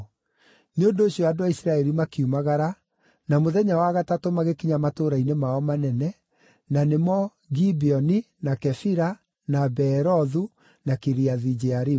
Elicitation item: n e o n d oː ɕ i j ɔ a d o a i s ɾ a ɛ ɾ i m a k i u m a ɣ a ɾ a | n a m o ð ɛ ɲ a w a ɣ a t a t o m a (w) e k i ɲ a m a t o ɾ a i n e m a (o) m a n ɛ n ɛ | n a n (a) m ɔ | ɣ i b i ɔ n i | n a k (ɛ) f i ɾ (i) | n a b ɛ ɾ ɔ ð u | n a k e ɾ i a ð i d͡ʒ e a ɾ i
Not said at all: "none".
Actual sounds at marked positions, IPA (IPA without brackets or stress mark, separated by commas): ɣ, ɔ, e, ɛ, a